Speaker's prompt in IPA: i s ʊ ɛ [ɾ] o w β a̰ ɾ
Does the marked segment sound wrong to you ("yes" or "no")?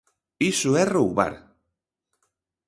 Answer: yes